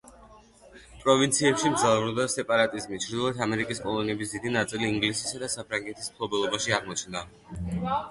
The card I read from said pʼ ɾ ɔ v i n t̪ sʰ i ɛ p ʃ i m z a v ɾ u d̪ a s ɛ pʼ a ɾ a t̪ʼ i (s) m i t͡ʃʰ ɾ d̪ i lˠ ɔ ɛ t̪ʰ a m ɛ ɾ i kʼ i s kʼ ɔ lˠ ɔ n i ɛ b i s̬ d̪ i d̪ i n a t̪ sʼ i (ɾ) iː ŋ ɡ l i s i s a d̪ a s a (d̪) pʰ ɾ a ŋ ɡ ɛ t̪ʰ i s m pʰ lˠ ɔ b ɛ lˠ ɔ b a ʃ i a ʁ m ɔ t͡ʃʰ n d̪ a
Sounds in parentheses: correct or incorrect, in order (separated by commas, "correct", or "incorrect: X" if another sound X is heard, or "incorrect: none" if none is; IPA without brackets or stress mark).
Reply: incorrect: z, incorrect: l, incorrect: none